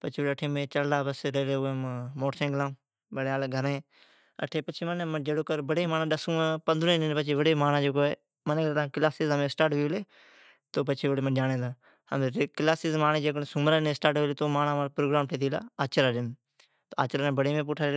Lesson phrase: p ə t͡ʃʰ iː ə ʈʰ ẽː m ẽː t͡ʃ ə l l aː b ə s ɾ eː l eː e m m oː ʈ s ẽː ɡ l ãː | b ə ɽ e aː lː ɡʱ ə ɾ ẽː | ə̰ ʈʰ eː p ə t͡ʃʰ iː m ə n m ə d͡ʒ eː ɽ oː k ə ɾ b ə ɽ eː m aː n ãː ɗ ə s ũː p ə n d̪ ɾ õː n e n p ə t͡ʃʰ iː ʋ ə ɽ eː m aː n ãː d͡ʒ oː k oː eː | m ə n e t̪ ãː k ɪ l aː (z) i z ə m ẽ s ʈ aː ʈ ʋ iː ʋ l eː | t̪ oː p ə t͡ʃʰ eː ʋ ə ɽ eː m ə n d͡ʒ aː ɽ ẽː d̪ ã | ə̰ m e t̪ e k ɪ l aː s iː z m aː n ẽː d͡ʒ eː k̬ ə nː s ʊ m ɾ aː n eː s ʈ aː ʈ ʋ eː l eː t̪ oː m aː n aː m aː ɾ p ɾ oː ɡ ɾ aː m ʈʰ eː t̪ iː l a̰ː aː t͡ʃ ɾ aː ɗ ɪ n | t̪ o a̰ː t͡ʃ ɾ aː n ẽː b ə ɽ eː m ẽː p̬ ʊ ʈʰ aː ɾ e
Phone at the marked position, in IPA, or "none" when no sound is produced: s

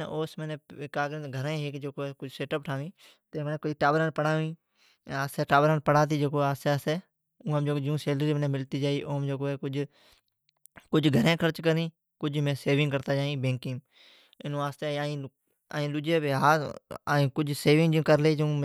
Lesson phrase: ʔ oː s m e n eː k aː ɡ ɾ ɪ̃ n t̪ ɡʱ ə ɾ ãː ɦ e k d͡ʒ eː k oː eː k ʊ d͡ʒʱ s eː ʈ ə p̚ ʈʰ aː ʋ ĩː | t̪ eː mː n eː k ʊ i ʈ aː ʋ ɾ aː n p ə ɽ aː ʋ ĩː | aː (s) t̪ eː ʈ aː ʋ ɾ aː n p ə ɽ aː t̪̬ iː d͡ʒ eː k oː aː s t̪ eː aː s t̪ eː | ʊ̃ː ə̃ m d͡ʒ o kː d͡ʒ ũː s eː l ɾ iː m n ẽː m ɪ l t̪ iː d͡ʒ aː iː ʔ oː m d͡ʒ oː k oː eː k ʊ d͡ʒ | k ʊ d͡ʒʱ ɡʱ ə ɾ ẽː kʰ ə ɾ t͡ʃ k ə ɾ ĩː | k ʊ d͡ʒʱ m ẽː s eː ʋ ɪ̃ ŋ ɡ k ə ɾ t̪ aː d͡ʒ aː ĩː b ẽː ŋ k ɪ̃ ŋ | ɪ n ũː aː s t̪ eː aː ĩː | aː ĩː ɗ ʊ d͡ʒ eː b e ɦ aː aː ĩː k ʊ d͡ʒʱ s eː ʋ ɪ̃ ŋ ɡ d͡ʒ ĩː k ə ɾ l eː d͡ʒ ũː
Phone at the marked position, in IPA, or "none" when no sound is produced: s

